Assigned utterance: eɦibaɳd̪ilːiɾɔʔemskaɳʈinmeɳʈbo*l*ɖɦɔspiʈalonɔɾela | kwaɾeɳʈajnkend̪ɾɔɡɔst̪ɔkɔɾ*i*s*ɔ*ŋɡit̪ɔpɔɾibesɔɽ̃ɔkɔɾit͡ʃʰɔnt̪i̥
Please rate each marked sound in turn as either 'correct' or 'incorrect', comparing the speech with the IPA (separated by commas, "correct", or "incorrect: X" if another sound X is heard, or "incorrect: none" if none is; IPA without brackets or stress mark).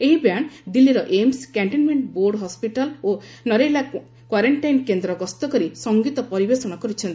incorrect: ɾ, correct, correct